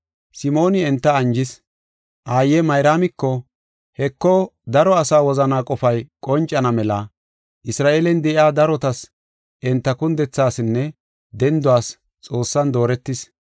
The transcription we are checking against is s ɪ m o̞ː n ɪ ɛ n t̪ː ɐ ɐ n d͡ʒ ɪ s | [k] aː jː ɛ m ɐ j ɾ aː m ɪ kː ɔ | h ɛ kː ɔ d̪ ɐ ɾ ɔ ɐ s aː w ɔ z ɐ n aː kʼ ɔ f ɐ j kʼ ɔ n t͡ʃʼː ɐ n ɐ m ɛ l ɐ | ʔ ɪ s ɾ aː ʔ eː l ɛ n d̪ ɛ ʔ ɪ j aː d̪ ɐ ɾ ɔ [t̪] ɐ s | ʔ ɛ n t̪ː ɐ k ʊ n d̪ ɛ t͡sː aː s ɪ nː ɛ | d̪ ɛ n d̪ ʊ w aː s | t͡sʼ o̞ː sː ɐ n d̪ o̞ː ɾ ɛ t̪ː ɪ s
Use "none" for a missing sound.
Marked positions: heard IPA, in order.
ʔ, t̪

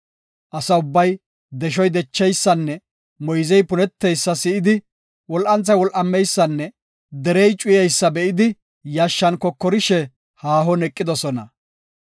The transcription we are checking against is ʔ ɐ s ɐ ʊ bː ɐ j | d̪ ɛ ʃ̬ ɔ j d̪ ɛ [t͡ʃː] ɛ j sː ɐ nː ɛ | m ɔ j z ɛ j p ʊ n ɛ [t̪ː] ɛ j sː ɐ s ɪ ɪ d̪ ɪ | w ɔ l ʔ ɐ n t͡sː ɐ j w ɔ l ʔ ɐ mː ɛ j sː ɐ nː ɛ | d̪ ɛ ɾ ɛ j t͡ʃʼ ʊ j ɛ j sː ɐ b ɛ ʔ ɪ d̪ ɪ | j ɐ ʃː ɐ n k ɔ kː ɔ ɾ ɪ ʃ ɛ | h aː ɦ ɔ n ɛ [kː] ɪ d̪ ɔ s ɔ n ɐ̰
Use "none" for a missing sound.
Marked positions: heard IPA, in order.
t͡ʃː, t̪ː, kʼː

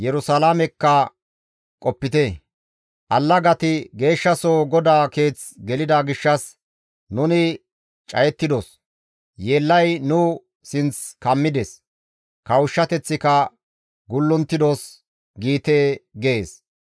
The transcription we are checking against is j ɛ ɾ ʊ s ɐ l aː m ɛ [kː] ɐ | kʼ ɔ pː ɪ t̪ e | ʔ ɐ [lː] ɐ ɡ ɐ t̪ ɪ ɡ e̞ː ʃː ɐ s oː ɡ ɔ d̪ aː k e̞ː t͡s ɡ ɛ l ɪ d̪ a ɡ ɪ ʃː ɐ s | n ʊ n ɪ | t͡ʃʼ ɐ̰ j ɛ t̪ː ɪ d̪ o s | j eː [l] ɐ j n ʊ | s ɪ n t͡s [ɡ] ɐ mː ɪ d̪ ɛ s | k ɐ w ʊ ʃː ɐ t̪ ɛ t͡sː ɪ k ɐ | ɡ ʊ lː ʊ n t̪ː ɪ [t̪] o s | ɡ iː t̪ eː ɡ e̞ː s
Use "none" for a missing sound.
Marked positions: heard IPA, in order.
kː, lː, lː, k, d̪

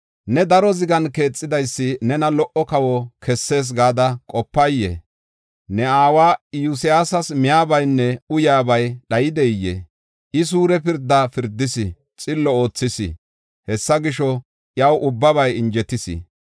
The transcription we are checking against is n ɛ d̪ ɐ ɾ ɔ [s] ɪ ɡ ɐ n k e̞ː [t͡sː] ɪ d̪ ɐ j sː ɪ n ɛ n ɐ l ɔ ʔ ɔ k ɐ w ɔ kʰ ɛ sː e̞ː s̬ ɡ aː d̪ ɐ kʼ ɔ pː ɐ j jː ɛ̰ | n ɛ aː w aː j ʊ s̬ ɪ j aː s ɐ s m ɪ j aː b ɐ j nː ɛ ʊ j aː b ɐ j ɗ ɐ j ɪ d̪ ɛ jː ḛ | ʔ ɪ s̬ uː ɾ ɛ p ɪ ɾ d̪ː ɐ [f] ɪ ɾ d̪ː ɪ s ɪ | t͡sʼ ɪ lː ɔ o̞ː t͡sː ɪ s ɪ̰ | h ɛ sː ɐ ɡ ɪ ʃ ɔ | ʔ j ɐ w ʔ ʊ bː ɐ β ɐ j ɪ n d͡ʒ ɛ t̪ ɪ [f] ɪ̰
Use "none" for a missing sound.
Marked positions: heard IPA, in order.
z, t͡sʼː, f, s

